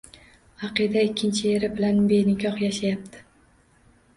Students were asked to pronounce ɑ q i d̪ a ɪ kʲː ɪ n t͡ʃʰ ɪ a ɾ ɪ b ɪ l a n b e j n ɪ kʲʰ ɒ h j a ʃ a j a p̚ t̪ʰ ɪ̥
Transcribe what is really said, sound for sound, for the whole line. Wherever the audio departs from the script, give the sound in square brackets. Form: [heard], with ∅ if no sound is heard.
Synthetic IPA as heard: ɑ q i d̪ a ɪ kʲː ɪ n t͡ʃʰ ɪ [e] ɾ ɪ b ɪ l a n b e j n ɪ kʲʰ ɒ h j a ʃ a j a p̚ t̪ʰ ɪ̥

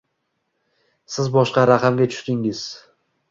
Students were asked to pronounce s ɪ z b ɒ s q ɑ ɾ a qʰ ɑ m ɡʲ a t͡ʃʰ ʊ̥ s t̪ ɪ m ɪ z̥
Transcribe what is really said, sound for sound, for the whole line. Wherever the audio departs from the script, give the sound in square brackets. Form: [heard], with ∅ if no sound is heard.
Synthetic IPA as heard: s ɪ z b ɒ [ʃ] q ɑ ɾ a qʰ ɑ m ɡʲ a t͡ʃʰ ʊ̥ [ʃ] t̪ ɪ [ŋ] ɪ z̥

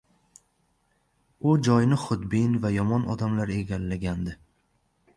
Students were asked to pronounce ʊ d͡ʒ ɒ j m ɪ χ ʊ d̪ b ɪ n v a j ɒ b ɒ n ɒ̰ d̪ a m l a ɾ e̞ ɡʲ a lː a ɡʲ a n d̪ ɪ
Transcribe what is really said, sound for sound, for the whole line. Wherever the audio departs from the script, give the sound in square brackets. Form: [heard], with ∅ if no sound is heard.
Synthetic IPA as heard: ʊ d͡ʒ ɒ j [n] ɪ χ ʊ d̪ b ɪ n v a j ɒ [m] ɒ n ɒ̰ d̪ a m l a ɾ e̞ ɡʲ a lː a ɡʲ a n d̪ ɪ

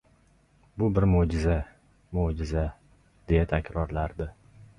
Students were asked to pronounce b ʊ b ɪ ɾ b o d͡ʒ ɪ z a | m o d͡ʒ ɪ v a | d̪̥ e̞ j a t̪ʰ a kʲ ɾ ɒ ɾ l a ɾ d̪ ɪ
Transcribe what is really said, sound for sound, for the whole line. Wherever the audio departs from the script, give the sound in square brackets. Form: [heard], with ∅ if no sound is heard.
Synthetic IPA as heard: b ʊ b ɪ ɾ [m] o d͡ʒ ɪ z a | m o d͡ʒ ɪ [z] a | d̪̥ e̞ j a t̪ʰ a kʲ ɾ ɒ ɾ l a ɾ d̪ ɪ

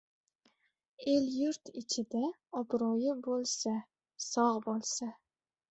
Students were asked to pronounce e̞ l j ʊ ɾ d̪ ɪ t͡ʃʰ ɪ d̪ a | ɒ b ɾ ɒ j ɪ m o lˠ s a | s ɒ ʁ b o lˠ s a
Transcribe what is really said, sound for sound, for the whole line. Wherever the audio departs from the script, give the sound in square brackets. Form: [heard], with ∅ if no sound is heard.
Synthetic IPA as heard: e̞ l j ʊ ɾ [t̪] ɪ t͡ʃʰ ɪ d̪ a | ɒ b ɾ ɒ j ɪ [b] o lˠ s a | s ɒ ʁ b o lˠ s a

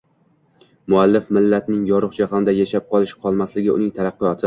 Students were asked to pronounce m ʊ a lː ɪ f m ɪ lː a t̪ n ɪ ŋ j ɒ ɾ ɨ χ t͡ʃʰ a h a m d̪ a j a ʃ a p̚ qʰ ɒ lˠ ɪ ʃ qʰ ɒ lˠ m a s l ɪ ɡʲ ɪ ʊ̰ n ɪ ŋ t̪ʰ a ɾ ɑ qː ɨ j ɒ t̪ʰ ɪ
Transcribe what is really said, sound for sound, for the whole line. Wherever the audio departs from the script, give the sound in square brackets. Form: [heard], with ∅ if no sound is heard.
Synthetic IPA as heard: m ʊ a lː ɪ f m ɪ lː a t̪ n ɪ ŋ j ɒ ɾ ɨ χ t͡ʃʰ a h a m d̪ a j a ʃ a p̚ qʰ ɒ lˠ ɪ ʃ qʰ ɒ lˠ m a s l ɪ ɡʲ ɪ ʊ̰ n ɪ ŋ t̪ʰ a ɾ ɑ qː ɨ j ɒ t̪ʰ ɪ

